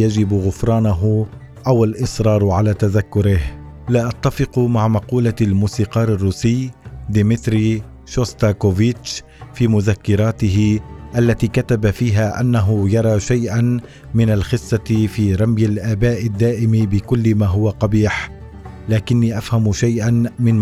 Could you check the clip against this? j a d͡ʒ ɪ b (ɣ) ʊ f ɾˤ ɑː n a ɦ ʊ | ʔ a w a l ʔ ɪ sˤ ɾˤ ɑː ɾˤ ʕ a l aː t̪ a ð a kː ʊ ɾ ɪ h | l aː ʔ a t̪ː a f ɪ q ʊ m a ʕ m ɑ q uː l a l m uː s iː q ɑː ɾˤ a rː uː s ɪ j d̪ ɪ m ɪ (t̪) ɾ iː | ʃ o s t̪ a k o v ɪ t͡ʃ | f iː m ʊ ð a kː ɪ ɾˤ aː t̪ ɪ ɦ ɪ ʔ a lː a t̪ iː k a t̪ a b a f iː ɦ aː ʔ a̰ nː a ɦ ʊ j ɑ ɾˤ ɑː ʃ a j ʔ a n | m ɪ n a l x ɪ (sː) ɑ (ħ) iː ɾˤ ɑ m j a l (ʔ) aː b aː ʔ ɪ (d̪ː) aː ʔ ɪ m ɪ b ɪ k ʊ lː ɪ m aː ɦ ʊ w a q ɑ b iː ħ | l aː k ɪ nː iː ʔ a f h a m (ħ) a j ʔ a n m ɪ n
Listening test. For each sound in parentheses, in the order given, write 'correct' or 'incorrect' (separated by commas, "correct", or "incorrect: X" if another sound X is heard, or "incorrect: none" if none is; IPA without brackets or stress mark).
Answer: correct, correct, correct, incorrect: f, correct, correct, incorrect: ʃ